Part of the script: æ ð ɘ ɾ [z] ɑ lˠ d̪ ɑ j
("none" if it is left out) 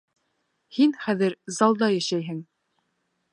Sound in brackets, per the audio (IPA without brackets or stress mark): z